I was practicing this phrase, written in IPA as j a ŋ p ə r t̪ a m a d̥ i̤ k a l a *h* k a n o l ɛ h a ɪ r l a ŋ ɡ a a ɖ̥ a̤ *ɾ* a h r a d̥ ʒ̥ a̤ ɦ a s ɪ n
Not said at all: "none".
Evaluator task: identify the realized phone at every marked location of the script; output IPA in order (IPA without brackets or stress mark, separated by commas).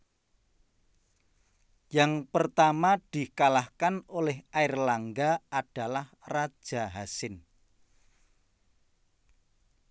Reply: h, l